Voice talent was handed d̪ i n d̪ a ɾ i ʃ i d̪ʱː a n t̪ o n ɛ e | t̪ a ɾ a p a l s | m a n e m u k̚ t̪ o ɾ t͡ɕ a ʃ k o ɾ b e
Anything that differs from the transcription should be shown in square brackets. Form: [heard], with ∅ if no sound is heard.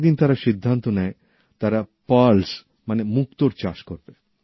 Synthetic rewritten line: d̪ i n [t̪] a ɾ [a] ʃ i d̪ʱː a n t̪ o n ɛ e | t̪ a ɾ a p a l s | m a n e m u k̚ t̪ o ɾ t͡ɕ a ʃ k o ɾ b e